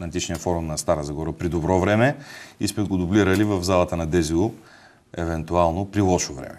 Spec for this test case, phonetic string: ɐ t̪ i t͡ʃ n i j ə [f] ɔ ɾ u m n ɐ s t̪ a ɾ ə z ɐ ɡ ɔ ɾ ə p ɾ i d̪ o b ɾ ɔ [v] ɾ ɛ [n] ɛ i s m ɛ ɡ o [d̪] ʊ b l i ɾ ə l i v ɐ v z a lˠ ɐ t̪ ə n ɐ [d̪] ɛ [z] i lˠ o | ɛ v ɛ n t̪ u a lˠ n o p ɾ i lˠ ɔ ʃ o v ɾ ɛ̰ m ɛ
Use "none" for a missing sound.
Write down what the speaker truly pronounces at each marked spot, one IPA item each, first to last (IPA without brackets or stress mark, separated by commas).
f, v, m, d̪, d̪, z